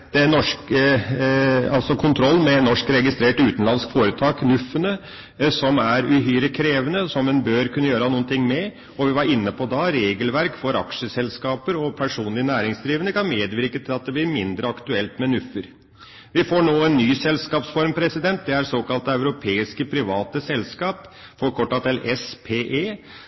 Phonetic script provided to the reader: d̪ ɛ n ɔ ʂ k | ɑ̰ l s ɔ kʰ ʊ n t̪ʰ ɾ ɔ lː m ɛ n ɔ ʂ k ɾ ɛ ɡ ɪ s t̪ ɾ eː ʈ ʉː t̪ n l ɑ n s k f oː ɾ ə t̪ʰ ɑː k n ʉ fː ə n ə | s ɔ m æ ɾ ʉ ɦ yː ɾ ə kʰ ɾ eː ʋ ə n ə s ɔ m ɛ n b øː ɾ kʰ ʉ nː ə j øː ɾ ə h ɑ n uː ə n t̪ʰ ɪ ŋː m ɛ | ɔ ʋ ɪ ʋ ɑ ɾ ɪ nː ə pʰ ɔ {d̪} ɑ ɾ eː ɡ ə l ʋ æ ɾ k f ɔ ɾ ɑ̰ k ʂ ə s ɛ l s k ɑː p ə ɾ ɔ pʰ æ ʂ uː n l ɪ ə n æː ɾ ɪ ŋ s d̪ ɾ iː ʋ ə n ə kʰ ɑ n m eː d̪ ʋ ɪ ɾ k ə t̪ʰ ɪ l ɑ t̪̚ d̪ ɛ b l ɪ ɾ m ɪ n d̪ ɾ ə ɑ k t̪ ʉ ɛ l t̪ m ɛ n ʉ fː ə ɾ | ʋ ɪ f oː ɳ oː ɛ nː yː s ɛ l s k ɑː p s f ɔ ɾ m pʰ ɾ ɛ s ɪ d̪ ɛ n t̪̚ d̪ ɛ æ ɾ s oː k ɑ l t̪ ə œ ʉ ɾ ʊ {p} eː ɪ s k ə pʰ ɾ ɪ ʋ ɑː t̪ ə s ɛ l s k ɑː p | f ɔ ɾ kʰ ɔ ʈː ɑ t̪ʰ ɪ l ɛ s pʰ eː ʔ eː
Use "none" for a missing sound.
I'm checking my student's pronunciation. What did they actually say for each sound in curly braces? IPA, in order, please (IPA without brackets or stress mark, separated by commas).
d̪, pʰ